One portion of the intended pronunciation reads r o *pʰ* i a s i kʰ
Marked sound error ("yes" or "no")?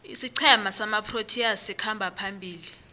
yes